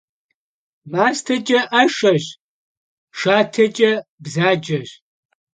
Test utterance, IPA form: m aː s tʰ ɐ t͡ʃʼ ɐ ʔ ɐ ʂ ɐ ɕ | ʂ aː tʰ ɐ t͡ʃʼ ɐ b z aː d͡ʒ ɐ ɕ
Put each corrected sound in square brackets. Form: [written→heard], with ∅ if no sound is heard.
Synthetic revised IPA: m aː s tʰ ɐ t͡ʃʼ ɐ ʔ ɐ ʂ ɐ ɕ | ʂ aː tʰ ɐ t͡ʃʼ ɐ b z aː d͡ʒ ɐ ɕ

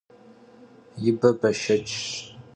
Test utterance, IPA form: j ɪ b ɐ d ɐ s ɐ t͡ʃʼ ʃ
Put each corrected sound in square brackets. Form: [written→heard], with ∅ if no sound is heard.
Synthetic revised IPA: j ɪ b ɐ [d→b] ɐ [s→ʃ] ɐ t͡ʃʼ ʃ

